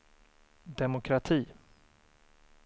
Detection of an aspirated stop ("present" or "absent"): present